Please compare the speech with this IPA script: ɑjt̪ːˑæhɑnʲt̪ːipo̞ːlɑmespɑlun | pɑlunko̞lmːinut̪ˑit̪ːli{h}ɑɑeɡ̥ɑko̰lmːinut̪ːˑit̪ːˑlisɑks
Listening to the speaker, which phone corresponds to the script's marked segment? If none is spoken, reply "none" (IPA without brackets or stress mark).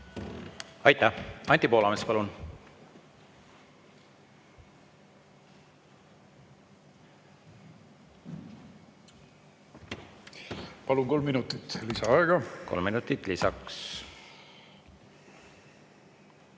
s